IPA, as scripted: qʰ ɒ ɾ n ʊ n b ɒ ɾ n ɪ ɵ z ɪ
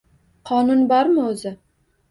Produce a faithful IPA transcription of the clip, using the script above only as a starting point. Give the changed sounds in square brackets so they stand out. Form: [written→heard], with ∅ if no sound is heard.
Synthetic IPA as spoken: qʰ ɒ [ɾ→∅] n ʊ n b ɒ ɾ [n→m] ɪ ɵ z ɪ